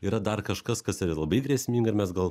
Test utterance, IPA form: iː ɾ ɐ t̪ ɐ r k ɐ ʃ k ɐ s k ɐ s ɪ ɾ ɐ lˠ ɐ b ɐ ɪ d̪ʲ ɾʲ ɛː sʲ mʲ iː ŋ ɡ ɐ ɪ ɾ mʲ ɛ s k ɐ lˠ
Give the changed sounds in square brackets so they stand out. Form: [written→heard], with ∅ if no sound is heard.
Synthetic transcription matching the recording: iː ɾ ɐ [t̪→d̪] ɐ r k ɐ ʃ k ɐ s k ɐ s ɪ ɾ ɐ lˠ ɐ b ɐ ɪ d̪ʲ ɾʲ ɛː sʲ mʲ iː ŋ ɡ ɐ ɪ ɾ mʲ ɛ s [k→ɡ] ɐ lˠ